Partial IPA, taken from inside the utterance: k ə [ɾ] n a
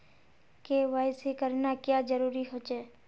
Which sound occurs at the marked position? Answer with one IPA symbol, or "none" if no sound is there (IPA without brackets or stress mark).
ɾ